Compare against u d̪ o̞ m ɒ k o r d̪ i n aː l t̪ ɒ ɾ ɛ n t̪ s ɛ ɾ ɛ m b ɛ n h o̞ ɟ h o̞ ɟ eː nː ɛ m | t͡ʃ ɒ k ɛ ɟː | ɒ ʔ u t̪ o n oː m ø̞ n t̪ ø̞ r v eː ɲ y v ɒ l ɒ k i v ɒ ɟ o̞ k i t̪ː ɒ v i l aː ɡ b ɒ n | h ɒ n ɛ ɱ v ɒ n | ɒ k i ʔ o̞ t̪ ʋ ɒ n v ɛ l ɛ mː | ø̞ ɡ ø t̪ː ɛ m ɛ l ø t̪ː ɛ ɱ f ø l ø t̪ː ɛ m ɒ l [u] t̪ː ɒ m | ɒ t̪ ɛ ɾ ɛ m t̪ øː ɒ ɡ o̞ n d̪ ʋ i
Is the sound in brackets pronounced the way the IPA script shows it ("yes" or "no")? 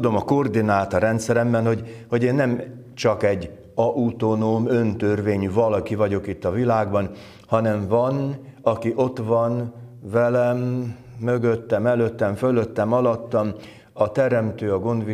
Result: no